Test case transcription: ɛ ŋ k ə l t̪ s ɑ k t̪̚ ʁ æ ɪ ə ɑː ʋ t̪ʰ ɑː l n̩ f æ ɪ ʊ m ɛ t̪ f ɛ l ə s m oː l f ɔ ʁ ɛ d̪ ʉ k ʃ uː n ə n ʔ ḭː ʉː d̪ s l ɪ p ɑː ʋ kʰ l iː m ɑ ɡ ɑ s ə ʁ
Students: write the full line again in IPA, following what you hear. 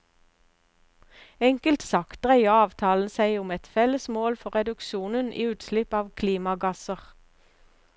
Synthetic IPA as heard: ɛ ŋ k ə l t̪ s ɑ k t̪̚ ʁ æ ɪ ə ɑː ʋ t̪ʰ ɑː l n̩ s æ ɪ ʊ m ɛ t̪ f ɛ l ə s m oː l f ɔ ʁ ɛ d̪ ʉ k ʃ uː n ə n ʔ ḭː ʉː t̪ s l ɪ p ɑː ʋ kʰ l iː m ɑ ɡ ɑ s ə ʁ

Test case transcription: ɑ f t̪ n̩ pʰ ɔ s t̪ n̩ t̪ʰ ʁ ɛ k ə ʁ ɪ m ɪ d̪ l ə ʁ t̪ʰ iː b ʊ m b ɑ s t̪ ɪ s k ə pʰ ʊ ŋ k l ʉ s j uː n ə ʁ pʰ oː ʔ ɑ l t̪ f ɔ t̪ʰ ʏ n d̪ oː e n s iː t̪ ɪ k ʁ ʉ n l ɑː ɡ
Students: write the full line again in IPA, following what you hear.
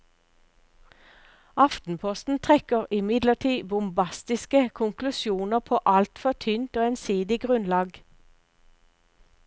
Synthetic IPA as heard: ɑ f t̪ n̩ pʰ ɔ s t̪ n̩ t̪ʰ ʁ ɛ k ə ʁ ɪ m ɪ d̪ l ə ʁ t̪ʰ iː b ʊ m b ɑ s t̪ ɪ s k ə kʰ ʊ ŋ k l ʉ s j uː n ə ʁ pʰ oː ʔ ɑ l t̪ f ɔ t̪ʰ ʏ n t̪ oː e n s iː d̪ ɪ ɡ ʁ ʉ n l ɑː ɡ

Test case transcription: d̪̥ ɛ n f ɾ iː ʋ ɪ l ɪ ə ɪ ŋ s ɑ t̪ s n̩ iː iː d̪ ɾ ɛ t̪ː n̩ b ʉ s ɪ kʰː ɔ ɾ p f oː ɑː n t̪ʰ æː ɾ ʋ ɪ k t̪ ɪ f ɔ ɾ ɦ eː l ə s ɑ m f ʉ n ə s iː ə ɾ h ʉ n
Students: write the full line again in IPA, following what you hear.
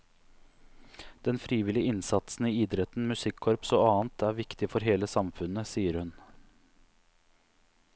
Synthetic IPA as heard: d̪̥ ɛ n f ɾ iː ʋ ɪ l ɪ ə ɪ n s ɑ t̪ s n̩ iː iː d̪ ɾ ɛ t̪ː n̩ m ʉ s ɪ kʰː ɔ ɾ p s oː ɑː n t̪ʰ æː ɾ ʋ ɪ k t̪ ɪ f ɔ ɾ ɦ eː l ə s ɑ m f ʉ n ə s iː ə ɾ h ʉ n

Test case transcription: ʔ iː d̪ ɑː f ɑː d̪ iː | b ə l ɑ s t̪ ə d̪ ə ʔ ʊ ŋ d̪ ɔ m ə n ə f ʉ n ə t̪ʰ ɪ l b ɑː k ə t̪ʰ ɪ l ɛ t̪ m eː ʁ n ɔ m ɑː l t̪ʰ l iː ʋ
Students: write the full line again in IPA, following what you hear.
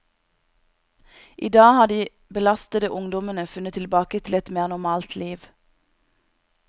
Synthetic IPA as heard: ʔ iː d̪ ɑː h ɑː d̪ iː | b ə l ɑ s t̪ ə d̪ ə ʔ ʊ ŋ d̪ ɔ m ə n ə f ʉ n ə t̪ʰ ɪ l b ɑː k ə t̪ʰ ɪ l ɛ t̪ m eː ʁ n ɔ m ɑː l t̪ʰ l iː ʋ

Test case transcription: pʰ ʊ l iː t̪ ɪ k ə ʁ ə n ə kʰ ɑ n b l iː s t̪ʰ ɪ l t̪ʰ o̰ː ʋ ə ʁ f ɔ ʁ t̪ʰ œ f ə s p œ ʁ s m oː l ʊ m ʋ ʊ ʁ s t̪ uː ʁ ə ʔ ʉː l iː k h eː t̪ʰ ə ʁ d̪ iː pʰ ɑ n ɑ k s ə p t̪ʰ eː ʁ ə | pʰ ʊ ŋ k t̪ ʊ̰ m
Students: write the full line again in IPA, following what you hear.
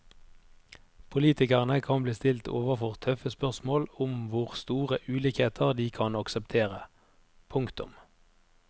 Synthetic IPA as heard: pʰ ʊ l iː t̪ ɪ k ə ʁ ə n ə kʰ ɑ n b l iː s t̪ ɪ l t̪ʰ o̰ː ʋ ə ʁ f ɔ ʁ t̪ʰ œ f ə s p œ ʁ s m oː l ʊ m ʋ ʊ ʁ s t̪ uː ʁ ə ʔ ʉː l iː k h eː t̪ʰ ə ʁ d̪ iː kʰ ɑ n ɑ k s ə p t̪ʰ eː ʁ ə | pʰ ʊ ŋ k t̪ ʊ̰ m

